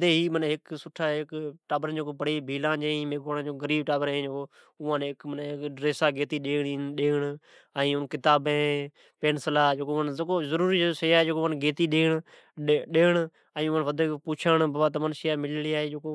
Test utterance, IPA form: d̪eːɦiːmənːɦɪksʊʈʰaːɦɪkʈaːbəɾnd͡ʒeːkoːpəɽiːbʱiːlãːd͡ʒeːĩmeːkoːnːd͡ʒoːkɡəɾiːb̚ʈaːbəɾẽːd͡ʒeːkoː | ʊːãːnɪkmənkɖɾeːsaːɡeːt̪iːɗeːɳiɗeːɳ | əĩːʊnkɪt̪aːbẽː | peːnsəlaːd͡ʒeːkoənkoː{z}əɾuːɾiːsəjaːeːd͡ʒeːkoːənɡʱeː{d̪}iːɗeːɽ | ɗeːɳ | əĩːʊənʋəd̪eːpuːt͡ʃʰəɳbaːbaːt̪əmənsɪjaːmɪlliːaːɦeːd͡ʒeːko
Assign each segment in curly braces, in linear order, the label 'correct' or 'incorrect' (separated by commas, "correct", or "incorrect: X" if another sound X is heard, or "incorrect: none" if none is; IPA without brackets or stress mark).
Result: correct, incorrect: t̪